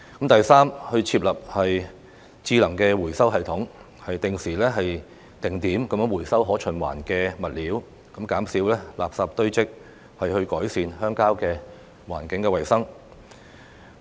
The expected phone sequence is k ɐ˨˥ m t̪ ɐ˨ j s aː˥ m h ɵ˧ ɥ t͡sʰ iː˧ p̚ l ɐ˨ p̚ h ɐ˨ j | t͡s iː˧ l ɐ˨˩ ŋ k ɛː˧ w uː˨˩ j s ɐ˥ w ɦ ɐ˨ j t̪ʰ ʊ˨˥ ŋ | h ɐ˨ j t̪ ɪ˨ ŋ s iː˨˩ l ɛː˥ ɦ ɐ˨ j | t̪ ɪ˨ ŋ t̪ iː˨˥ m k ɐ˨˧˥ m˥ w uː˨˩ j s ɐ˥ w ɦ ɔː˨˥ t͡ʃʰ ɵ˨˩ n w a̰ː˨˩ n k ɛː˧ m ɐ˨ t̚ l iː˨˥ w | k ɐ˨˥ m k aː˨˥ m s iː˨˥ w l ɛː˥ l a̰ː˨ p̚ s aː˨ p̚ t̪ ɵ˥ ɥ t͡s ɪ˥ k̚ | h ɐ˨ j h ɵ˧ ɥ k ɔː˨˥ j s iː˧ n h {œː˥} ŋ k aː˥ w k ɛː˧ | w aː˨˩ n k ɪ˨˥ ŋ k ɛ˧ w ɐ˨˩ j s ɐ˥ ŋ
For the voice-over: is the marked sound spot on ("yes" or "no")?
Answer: yes